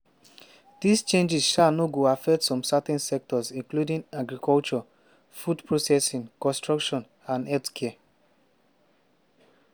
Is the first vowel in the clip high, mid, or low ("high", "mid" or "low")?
high